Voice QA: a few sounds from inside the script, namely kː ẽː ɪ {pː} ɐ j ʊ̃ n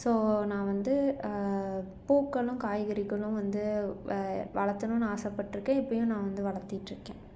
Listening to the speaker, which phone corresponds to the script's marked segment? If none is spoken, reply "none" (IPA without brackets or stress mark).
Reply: pː